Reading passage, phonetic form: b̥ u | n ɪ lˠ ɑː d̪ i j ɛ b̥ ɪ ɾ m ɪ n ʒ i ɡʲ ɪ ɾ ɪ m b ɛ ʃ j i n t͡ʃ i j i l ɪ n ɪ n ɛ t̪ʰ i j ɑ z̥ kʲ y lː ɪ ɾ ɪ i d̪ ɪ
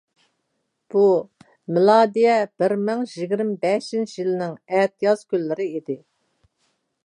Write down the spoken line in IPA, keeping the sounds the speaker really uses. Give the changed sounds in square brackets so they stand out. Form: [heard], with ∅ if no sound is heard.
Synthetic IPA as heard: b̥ u | [m] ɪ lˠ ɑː d̪ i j ɛ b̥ ɪ ɾ m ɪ [ŋ] ʒ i ɡʲ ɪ ɾ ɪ m b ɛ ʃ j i n t͡ʃ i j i l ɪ n ɪ [ŋ] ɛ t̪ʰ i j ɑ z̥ kʲ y lː ɪ ɾ ɪ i d̪ ɪ